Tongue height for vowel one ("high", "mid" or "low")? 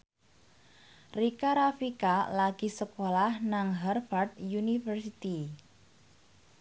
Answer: high